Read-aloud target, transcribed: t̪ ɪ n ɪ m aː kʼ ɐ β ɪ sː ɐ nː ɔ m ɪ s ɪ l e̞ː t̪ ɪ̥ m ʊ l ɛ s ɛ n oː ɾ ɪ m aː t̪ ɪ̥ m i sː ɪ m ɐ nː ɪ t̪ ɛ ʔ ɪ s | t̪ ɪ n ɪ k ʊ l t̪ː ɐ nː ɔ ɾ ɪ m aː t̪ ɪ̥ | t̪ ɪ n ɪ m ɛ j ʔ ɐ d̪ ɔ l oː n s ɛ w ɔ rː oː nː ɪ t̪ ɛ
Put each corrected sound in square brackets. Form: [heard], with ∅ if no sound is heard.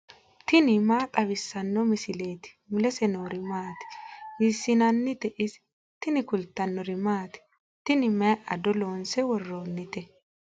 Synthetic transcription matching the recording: t̪ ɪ n ɪ m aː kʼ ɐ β ɪ sː ɐ nː ɔ m ɪ s ɪ l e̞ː t̪ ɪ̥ m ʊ l ɛ s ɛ n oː ɾ ɪ m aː t̪ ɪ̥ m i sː ɪ [n] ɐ nː ɪ t̪ ɛ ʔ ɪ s | t̪ ɪ n ɪ k ʊ l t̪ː ɐ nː ɔ ɾ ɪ m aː t̪ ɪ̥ | t̪ ɪ n ɪ m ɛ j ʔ ɐ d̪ ɔ l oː n s ɛ w ɔ rː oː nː ɪ t̪ ɛ